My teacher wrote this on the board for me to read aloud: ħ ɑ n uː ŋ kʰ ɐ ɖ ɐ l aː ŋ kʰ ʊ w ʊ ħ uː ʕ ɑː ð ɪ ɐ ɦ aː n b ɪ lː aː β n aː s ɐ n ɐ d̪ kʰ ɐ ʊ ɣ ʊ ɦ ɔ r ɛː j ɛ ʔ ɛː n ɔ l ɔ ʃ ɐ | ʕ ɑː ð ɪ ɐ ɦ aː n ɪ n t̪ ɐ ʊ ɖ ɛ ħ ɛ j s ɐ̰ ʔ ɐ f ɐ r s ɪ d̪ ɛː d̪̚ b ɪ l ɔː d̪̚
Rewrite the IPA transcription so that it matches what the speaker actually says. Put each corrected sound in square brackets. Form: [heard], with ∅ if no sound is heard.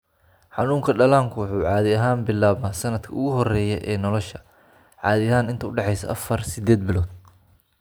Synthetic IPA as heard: ħ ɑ n uː ŋ kʰ ɐ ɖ ɐ l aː ŋ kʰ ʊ w ʊ ħ uː ʕ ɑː ð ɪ ɐ ɦ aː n b ɪ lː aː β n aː s ɐ n ɐ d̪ kʰ ɐ ʊ ɣ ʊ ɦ ɔ r ɛː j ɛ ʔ ɛː n ɔ l ɔ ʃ ɐ | ʕ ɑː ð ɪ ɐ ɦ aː n ɪ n t̪ ɐ ʊ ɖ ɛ ħ ɛ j s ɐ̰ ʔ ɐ f ɐ r s ɪ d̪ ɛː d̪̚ b ɪ l ɔː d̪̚